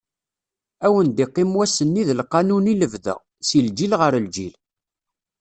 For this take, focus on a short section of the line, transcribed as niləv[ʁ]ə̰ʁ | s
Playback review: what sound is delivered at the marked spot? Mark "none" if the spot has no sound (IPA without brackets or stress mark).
ð